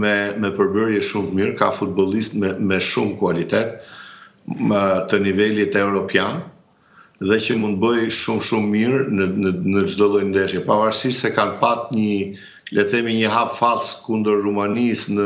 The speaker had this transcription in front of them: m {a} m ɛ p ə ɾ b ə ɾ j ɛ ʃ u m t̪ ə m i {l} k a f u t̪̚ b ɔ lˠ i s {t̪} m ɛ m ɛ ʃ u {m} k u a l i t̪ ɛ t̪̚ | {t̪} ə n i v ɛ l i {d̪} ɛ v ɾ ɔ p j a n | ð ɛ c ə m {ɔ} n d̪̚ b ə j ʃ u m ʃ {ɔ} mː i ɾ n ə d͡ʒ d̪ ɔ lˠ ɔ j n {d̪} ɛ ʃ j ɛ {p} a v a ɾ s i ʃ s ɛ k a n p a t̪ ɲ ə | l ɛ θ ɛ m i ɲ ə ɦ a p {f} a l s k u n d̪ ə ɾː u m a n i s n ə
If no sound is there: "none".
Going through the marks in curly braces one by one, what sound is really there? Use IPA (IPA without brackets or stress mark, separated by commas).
ɛ, ɾ, t̪, m, t̪, t̪, u, u, d̪, p, f